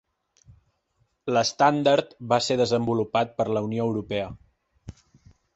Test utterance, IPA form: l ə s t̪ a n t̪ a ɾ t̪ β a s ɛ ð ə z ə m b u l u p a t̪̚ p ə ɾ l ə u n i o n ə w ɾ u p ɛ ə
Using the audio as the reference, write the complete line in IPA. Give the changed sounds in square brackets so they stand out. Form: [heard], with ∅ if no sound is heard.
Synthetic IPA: l ə s t̪ a n [d̪] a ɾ t̪ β a s [e] ð ə z ə m b u l u p a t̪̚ p ə ɾ l ə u n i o [∅] ə w ɾ u p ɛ ə